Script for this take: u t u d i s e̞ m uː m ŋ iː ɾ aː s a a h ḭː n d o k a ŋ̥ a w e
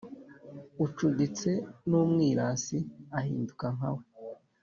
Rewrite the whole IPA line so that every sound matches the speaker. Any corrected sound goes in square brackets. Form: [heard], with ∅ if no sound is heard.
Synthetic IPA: u [t͡ʃ] u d i [t͡s] e̞ [n] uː m ŋ iː ɾ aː s [i] a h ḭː n d [u] k a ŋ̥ a w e